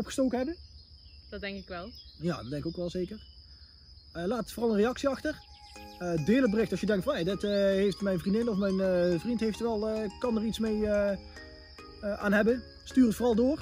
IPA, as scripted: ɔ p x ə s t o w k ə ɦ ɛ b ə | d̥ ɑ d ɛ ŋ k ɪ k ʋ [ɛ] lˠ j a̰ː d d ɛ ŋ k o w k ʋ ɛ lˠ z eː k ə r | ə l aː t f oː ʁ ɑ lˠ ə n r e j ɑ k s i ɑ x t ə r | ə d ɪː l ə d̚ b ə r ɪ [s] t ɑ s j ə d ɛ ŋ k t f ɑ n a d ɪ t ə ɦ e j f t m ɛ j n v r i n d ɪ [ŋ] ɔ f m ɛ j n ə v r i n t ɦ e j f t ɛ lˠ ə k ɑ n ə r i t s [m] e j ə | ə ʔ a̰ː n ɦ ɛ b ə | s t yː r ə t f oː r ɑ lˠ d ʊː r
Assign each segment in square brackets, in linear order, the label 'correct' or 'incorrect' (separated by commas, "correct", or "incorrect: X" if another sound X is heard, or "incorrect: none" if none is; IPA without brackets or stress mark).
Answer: correct, incorrect: x, incorrect: n, correct